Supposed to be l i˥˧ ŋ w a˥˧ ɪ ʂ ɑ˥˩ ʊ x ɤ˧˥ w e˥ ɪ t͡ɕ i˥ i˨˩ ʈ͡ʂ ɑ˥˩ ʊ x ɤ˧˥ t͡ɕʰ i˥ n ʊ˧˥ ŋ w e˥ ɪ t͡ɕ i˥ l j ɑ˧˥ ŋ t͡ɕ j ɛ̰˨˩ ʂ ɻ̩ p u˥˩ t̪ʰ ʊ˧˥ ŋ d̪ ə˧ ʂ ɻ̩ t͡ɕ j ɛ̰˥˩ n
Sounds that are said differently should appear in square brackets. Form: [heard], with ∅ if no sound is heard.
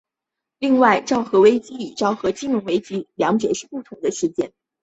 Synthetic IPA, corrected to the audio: l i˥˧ ŋ w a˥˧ ɪ [ʈ͡ʂ] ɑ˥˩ ʊ x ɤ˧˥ w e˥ ɪ t͡ɕ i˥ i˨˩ ʈ͡ʂ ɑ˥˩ ʊ x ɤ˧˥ [t͡ɕ] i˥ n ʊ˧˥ ŋ w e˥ ɪ t͡ɕ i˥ l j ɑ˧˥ ŋ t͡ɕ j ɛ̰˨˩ ʂ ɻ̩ p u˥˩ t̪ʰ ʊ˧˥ ŋ d̪ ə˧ ʂ ɻ̩ t͡ɕ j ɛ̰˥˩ n